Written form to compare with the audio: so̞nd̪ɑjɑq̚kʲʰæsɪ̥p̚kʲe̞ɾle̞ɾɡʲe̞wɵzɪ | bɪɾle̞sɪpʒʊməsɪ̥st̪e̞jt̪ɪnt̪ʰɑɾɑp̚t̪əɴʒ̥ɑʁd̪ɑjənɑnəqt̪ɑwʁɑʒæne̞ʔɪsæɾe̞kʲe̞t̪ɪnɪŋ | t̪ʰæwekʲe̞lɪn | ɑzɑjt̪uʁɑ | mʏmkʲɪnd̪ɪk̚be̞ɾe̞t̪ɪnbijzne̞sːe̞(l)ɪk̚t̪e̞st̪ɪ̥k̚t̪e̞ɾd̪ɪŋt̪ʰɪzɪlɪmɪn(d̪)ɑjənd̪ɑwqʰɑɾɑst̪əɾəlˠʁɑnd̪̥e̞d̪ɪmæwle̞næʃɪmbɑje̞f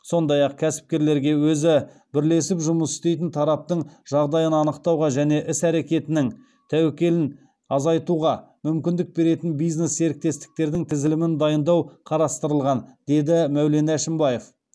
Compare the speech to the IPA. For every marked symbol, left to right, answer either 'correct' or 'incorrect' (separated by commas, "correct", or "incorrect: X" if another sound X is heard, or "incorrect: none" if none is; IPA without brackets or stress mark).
incorrect: ɾ, correct